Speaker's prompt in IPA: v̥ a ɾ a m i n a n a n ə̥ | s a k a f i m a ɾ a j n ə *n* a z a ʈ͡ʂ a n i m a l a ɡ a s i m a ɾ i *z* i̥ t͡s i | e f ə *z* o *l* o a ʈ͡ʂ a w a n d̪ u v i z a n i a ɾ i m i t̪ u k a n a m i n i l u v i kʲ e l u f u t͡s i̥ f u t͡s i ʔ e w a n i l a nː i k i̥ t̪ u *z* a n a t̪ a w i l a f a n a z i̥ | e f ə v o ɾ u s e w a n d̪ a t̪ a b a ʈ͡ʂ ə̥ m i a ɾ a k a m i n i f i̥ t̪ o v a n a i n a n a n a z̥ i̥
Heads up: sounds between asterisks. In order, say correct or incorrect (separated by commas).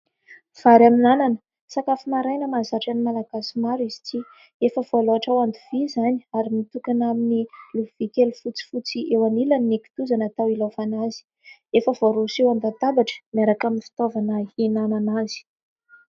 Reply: incorrect, correct, incorrect, correct, correct